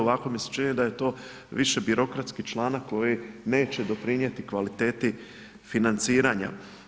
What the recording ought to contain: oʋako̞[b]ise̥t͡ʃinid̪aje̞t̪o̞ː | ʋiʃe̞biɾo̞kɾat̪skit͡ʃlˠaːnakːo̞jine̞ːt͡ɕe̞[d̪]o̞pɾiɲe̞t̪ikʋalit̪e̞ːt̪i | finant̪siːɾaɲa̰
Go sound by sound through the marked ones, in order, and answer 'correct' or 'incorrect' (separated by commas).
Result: incorrect, correct